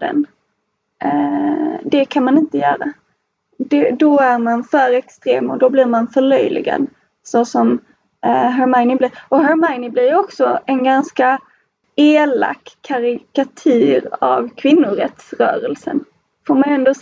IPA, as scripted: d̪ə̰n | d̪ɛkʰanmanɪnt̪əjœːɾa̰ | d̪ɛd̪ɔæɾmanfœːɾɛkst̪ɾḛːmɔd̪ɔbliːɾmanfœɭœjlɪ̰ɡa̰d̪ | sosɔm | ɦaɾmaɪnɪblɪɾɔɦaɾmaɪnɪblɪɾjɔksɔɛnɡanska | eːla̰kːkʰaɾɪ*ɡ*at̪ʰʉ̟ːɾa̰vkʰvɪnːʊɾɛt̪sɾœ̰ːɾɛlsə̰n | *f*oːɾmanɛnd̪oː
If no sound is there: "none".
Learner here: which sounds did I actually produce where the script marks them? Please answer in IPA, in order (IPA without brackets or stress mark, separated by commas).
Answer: k, f